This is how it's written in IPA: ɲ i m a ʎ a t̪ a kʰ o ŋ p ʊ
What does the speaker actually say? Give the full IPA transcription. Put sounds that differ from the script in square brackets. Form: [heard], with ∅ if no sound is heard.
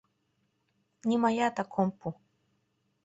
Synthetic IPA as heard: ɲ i m a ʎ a t̪ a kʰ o [m] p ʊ